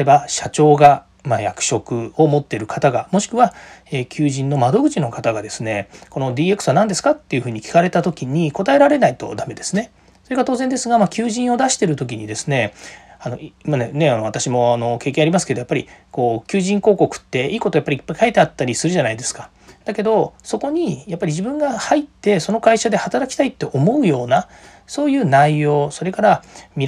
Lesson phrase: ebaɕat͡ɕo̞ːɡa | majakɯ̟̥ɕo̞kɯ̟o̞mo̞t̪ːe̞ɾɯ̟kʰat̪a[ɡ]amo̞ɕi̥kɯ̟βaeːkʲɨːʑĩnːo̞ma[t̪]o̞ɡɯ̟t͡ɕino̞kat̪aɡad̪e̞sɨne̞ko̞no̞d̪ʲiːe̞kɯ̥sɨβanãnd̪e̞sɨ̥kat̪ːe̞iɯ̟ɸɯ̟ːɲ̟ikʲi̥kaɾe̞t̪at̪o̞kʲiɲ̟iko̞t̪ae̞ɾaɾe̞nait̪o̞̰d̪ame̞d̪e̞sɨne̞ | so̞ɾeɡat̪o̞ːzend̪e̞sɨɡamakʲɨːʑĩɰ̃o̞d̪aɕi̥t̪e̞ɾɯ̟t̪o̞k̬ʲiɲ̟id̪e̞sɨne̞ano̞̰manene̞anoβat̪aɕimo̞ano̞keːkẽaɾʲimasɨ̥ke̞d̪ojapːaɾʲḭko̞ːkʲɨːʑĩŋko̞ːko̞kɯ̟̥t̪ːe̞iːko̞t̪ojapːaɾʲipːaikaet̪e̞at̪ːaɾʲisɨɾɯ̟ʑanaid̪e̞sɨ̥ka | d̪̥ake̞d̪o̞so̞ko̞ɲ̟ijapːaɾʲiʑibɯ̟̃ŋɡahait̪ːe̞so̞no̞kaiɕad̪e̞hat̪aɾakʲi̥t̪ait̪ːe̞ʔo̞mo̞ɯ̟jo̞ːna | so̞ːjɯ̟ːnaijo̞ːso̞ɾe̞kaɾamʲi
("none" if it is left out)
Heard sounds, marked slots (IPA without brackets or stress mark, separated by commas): ɡ, d̪